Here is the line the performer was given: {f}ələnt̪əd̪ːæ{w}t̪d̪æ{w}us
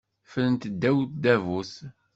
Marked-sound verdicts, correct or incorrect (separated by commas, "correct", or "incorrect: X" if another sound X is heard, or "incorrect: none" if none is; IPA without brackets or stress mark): correct, correct, incorrect: v